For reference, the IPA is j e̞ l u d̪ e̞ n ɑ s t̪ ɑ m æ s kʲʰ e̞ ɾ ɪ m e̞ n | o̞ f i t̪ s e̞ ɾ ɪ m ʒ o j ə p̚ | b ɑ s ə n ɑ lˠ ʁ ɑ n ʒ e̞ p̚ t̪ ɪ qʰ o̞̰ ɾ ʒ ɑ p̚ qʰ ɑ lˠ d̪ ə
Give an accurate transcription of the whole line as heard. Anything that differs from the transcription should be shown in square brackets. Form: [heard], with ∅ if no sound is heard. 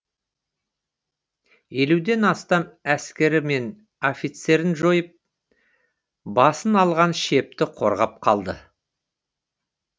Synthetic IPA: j e̞ l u d̪ e̞ n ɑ s t̪ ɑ m æ s [kʲ] e̞ ɾ ɪ m e̞ n | o̞ f i t̪ s e̞ ɾ ɪ [n] ʒ o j ə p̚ | b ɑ s ə n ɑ lˠ ʁ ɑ n [ʃ] e̞ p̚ t̪ ɪ qʰ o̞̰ ɾ [ʁ] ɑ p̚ qʰ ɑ lˠ d̪ ə

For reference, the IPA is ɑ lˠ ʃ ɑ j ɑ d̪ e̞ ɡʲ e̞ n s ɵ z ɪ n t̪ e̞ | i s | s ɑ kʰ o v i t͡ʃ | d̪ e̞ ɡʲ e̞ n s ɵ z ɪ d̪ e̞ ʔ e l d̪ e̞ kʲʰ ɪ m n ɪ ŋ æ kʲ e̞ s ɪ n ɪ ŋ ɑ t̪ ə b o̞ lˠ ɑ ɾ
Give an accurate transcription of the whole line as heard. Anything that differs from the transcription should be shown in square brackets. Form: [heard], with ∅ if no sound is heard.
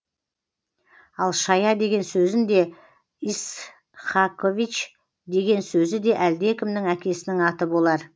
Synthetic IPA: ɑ lˠ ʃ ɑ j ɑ d̪ e̞ ɡʲ e̞ n s ɵ z ɪ n [d̪] e̞ | i s | [χ] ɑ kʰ o v i t͡ʃ | d̪ e̞ ɡʲ e̞ n s ɵ z ɪ d̪ e̞ ʔ [æ] l d̪ e̞ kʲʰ ɪ m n ɪ ŋ æ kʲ e̞ s ɪ n ɪ ŋ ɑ t̪ ə b o̞ lˠ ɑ ɾ

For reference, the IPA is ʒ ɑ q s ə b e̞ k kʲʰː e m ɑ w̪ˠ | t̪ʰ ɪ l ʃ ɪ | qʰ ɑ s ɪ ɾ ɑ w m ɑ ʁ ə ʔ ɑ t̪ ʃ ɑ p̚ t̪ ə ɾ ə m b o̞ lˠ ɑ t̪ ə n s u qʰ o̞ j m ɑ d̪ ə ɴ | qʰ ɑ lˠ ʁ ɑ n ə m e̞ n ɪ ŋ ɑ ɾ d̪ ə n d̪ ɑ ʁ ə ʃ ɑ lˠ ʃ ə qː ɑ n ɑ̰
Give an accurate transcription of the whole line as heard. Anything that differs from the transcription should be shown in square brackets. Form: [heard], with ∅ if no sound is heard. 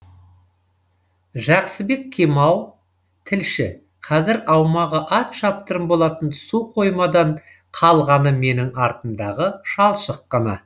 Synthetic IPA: ʒ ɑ q s ə b e̞ k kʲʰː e m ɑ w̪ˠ | t̪ʰ ɪ l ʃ ɪ | qʰ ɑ [z] ɪ ɾ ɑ w m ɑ ʁ ə ʔ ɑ t̪ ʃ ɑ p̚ t̪ ə ɾ ə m b o̞ lˠ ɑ t̪ ə n s u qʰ o̞ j m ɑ d̪ [ɑ] ɴ | qʰ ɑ lˠ ʁ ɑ n ə m e̞ n ɪ ŋ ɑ ɾ [t̪] ə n d̪ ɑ ʁ ə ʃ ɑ lˠ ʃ ə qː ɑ n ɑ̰

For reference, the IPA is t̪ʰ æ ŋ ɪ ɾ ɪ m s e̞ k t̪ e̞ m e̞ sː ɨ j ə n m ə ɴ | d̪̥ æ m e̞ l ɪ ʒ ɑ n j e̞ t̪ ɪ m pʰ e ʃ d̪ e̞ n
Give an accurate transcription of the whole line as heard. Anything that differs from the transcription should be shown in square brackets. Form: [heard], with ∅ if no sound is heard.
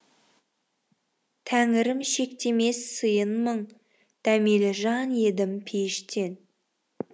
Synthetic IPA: t̪ʰ æ ŋ ɪ ɾ ɪ m [ʃ] e̞ k t̪ e̞ m e̞ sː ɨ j ə n m ə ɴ | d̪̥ æ m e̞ l ɪ ʒ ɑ n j e̞ [d̪] ɪ m pʰ e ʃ [t̪] e̞ n

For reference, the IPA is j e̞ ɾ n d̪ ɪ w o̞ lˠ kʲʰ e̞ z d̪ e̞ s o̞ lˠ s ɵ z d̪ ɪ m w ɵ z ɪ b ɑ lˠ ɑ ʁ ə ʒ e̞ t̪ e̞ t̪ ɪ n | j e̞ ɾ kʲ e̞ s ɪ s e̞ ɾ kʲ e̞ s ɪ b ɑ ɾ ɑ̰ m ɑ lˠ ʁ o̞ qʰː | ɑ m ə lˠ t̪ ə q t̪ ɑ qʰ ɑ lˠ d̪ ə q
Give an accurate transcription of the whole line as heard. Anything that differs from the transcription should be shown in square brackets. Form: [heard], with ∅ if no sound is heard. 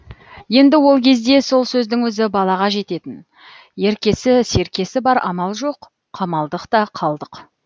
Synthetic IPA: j e̞ [∅] n d̪ ɪ w o̞ lˠ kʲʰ e̞ z d̪ e̞ s o̞ lˠ s ɵ z d̪ ɪ [ŋ] w ɵ z ɪ b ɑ lˠ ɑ ʁ [ɑ] ʒ e̞ t̪ e̞ t̪ ɪ n | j e̞ ɾ kʲ e̞ s ɪ s e̞ ɾ kʲ e̞ s ɪ b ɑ ɾ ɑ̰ m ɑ lˠ [ʒ] o̞ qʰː | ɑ m [ɑ] lˠ [d̪] ə q t̪ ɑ qʰ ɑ lˠ d̪ ə q

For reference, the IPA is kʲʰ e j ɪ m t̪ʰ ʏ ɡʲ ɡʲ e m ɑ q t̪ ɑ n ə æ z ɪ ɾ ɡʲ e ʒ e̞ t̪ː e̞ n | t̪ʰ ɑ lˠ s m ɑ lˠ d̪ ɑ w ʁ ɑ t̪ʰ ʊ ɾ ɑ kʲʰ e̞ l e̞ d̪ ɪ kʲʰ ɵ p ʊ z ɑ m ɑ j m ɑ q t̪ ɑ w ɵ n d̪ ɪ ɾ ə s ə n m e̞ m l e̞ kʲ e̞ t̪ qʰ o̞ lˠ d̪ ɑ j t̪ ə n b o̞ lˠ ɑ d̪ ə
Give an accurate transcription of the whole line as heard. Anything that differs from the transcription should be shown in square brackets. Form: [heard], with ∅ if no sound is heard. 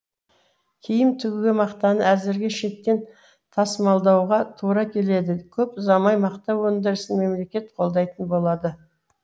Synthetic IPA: kʲʰ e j ɪ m t̪ʰ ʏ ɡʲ ɡʲ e m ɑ q t̪ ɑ n ə æ z ɪ ɾ ɡʲ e [ʃ] e̞ t̪ː e̞ n | t̪ʰ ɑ [∅] s m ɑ lˠ d̪ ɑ w ʁ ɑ t̪ʰ [u] ɾ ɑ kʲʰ e̞ l e̞ d̪ ɪ kʲʰ ɵ p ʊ z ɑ m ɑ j m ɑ q t̪ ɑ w ɵ n d̪ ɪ ɾ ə s ə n m e̞ m l e̞ kʲ e̞ t̪ qʰ o̞ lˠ d̪ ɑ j t̪ ə n b o̞ lˠ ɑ d̪ ə

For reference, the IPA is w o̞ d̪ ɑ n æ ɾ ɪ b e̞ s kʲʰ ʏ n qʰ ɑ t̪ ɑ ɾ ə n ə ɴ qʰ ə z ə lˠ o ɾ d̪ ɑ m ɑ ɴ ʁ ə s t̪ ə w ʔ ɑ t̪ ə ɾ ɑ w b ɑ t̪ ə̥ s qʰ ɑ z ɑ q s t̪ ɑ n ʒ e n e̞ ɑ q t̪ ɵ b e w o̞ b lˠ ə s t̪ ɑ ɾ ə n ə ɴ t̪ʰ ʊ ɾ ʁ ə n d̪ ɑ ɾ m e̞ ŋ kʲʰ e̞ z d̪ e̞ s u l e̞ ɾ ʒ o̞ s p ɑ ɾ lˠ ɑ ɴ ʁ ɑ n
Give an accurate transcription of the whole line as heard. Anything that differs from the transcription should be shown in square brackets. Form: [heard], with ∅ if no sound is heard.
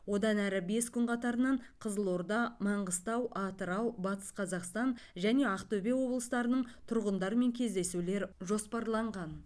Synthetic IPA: w o̞ d̪ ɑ n æ ɾ ɪ b e̞ s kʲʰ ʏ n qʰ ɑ t̪ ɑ ɾ ə n [ɑ] ɴ qʰ ə z ə lˠ o ɾ d̪ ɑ m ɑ ɴ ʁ ə s t̪ [ɑ] w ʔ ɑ t̪ ə ɾ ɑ w b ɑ t̪ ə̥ s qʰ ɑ z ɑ q s t̪ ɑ n ʒ [æ] n e̞ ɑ q t̪ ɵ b e w o̞ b lˠ ə s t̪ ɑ ɾ ə n ə ɴ t̪ʰ ʊ ɾ ʁ ə n d̪ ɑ ɾ m e̞ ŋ kʲʰ e̞ z d̪ e̞ s u l e̞ ɾ ʒ o̞ s p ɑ ɾ lˠ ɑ ɴ ʁ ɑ n

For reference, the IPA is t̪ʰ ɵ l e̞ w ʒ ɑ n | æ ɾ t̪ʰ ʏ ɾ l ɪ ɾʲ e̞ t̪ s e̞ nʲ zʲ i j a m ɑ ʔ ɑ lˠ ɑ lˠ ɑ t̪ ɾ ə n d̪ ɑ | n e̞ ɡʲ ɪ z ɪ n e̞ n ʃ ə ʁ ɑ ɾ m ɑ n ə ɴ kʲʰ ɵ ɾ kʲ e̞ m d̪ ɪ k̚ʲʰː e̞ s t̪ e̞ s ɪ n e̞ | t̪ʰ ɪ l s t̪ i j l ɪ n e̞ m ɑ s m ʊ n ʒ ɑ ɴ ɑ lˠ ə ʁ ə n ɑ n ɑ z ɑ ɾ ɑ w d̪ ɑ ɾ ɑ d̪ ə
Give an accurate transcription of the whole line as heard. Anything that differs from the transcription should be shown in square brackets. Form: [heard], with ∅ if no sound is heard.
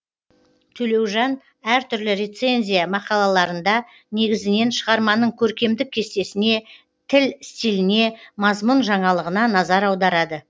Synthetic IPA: t̪ʰ ɵ l e̞ w ʒ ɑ n | æ ɾ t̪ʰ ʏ ɾ l ɪ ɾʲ e̞ t̪ s e̞ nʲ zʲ i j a m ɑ [q] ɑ lˠ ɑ lˠ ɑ [∅] ɾ ə n d̪ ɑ | n e̞ ɡʲ ɪ z ɪ n e̞ n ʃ ə ʁ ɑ ɾ m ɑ n ə ɴ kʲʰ ɵ ɾ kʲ e̞ m d̪ ɪ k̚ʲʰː e̞ s t̪ e̞ s ɪ n e̞ | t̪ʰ ɪ l s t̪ i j l ɪ n e̞ m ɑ [z] m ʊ n ʒ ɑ ɴ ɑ lˠ ə ʁ ə n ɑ n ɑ z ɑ ɾ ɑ w d̪ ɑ ɾ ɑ d̪ ə

